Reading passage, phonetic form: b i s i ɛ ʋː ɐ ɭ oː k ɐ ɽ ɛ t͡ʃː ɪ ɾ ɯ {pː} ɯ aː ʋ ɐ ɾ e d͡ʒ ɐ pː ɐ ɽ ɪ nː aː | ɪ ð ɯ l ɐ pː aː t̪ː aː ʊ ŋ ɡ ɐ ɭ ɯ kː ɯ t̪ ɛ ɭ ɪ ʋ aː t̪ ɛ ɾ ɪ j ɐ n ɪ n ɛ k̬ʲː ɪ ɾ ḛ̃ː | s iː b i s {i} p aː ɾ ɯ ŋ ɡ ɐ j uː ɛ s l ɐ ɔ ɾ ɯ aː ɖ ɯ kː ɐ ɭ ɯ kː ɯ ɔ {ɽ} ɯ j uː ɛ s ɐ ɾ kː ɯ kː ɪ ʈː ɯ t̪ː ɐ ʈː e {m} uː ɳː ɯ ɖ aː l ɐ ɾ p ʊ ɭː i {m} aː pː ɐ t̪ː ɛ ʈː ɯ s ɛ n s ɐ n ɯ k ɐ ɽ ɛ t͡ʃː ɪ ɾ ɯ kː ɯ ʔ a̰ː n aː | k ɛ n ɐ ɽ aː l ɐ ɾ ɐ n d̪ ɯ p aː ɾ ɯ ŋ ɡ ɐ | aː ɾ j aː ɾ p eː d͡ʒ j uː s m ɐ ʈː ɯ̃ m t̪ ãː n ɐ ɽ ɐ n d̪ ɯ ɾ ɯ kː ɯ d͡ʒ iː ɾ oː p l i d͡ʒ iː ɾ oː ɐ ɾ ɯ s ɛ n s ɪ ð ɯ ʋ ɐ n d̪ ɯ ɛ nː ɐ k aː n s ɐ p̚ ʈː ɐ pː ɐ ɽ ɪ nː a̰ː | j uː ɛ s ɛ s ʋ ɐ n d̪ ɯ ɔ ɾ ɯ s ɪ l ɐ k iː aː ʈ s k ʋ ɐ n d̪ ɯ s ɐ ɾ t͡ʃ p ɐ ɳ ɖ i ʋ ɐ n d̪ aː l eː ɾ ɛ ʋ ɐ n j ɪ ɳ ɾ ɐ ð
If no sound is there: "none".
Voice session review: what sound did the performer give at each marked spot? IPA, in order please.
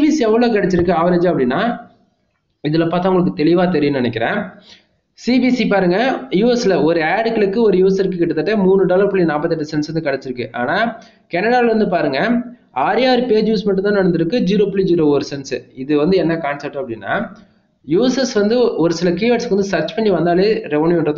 kː, i, ɾ, m, n

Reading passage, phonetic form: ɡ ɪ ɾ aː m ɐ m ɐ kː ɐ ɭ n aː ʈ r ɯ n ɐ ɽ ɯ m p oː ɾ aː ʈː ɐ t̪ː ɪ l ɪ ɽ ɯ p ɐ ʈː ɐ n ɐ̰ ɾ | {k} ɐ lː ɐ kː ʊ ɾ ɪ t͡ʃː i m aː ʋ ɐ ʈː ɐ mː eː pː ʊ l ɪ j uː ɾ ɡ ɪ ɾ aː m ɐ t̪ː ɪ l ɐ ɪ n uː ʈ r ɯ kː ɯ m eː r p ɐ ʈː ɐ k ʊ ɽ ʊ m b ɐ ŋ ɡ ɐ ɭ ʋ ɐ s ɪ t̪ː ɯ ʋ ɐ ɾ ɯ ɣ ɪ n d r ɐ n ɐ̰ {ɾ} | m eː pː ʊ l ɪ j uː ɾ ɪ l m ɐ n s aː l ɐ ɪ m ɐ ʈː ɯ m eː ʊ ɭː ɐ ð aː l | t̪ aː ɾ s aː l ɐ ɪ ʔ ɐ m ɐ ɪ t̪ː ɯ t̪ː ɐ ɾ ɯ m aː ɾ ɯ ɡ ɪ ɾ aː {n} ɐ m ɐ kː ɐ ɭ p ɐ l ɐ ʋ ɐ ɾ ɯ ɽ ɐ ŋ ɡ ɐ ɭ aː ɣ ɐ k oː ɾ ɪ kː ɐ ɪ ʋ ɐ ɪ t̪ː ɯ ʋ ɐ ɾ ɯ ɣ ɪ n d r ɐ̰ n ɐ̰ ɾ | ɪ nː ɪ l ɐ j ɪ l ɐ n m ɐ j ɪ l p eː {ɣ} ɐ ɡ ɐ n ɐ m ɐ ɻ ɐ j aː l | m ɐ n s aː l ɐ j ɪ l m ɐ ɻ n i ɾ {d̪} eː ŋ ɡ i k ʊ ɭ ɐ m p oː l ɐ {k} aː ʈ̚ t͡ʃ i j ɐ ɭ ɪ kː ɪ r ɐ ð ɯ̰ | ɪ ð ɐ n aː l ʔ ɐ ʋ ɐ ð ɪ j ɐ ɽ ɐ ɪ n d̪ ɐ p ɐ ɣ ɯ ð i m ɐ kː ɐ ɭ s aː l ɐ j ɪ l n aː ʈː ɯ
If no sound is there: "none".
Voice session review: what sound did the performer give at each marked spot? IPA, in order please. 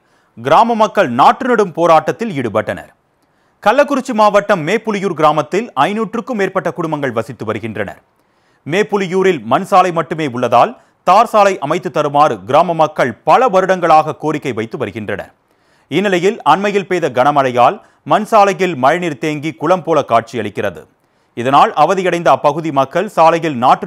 k, ɾ, m, ð, t̪, k

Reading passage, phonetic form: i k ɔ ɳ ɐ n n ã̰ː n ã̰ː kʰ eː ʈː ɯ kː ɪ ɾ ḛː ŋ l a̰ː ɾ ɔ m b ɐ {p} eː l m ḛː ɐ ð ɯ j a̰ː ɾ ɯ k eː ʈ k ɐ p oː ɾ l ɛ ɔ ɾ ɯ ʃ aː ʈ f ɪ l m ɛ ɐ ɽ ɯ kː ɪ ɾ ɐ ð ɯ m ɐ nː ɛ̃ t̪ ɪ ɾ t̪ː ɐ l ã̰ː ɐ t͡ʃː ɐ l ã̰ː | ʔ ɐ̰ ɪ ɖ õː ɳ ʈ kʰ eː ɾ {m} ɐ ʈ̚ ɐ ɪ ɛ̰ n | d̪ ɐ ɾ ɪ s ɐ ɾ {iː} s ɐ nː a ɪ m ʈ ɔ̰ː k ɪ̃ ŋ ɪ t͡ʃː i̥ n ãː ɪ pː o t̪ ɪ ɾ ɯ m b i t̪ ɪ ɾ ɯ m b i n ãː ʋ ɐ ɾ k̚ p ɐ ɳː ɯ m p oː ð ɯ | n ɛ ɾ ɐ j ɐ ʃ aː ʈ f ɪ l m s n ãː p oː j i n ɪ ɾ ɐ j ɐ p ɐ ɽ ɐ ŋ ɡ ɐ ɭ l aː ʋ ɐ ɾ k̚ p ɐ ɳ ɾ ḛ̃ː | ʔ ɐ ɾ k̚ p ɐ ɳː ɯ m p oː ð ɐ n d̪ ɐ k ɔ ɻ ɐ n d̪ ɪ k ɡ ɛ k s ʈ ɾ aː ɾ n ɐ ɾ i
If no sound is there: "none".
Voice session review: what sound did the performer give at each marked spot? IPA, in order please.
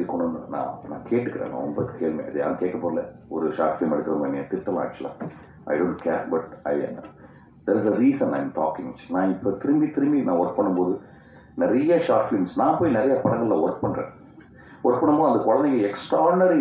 k, b, iː

